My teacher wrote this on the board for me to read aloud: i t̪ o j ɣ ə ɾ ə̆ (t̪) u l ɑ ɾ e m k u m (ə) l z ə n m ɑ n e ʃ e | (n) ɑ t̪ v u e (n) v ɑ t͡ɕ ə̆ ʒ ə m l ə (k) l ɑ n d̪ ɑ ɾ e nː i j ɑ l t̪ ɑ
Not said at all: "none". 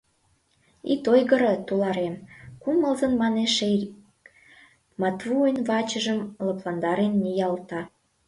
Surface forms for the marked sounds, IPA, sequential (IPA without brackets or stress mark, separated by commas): t̪, ə, m, n, p